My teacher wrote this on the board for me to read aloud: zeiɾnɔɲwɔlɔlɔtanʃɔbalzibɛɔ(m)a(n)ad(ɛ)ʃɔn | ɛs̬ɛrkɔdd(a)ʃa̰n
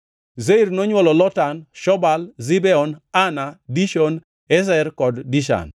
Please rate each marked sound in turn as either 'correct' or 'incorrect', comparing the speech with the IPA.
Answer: incorrect: n, correct, incorrect: i, incorrect: i

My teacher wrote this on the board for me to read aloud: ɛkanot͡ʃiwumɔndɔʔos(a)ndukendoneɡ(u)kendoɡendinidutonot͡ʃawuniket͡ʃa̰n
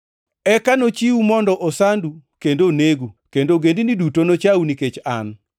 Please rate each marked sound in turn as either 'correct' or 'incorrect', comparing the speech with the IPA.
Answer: correct, correct

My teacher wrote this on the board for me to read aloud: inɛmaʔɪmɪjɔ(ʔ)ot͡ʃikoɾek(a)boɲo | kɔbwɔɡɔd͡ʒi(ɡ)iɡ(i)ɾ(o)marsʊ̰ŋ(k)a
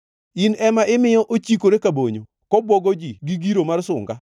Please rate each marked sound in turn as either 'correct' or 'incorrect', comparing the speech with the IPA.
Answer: correct, correct, correct, correct, correct, incorrect: ɡ

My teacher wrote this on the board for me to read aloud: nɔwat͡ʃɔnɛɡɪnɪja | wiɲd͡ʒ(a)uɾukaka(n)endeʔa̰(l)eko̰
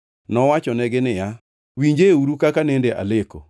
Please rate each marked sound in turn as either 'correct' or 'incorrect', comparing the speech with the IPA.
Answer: incorrect: e, correct, correct

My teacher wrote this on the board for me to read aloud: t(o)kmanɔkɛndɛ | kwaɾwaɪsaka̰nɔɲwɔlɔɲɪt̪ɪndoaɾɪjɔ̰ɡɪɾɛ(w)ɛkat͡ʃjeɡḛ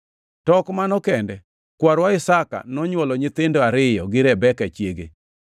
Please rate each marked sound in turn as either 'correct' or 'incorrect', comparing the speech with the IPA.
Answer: incorrect: ɔ, incorrect: b

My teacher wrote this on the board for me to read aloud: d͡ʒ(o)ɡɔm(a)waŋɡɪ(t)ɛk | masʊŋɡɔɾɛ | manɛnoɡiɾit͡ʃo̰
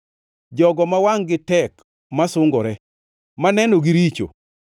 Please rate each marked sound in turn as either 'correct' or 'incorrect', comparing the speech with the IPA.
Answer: incorrect: ɔ, correct, correct

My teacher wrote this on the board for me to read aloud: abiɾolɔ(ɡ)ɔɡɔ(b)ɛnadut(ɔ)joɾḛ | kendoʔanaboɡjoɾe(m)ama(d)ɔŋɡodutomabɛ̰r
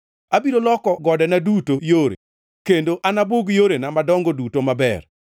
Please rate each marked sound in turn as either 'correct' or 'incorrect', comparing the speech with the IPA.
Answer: incorrect: k, incorrect: d, incorrect: o, incorrect: n, correct

